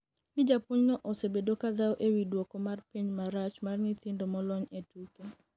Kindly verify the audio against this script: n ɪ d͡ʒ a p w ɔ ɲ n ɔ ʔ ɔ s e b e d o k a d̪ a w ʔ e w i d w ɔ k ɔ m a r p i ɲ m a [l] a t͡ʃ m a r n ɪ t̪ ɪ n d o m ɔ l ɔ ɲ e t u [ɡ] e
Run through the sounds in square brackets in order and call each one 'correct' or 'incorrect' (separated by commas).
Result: incorrect, incorrect